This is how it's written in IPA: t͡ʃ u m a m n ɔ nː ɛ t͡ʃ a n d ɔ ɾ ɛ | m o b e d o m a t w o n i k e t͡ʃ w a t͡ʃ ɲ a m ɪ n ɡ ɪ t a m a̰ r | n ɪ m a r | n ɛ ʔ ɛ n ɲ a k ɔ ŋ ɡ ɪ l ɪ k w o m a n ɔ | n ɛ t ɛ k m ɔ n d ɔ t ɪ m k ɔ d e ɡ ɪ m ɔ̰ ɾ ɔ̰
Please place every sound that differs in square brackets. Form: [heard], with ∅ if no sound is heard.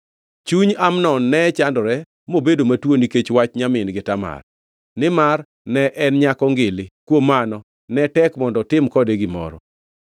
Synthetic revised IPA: t͡ʃ u [ɲ] a m n ɔ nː ɛ t͡ʃ a n d ɔ ɾ ɛ | m o b e d o m a t w o n i k e t͡ʃ w a t͡ʃ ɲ a m ɪ n ɡ ɪ t a m a̰ r | n ɪ m a r | n ɛ ʔ ɛ n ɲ a k ɔ ŋ ɡ ɪ l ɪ k w o m a n ɔ | n ɛ t ɛ k m ɔ n d ɔ t ɪ m k ɔ d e ɡ ɪ m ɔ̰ ɾ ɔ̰